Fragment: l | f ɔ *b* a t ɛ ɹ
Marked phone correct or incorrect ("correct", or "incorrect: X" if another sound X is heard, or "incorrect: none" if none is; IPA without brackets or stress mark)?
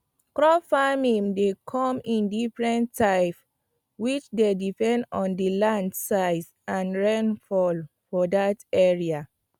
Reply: incorrect: d